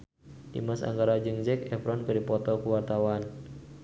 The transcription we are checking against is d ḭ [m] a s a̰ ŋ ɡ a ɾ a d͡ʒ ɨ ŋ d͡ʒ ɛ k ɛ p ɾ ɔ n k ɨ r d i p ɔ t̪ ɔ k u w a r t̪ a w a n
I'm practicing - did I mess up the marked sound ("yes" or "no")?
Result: no